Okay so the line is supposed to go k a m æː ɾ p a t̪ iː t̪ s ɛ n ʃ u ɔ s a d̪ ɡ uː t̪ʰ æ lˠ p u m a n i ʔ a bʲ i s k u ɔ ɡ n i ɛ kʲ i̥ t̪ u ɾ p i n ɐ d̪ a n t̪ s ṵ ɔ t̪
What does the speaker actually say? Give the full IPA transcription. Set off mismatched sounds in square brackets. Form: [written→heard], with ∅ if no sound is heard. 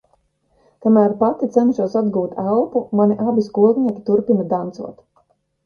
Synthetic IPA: k a m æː ɾ p a t̪ [iː→i] t̪ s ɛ n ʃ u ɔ s a d̪ ɡ uː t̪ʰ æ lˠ p u m a n i ʔ a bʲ i s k u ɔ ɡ n i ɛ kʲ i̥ t̪ u ɾ p i n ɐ d̪ a n t̪ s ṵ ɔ t̪